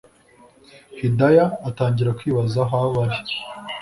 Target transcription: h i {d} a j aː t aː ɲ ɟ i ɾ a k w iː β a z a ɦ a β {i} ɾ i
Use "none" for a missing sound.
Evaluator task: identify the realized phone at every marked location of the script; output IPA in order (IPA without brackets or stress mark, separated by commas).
d, a